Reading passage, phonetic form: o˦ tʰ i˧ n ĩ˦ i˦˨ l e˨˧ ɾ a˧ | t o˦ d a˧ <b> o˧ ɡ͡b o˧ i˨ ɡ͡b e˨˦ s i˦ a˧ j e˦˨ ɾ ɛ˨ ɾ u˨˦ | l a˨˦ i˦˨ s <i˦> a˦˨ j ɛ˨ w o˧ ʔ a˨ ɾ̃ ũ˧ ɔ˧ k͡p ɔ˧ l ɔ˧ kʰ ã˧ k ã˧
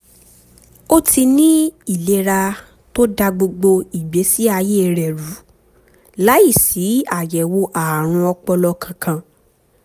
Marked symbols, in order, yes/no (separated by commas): no, no